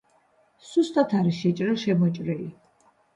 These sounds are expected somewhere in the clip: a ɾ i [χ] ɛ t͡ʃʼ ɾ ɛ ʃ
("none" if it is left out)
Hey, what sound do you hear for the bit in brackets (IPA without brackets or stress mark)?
ʃ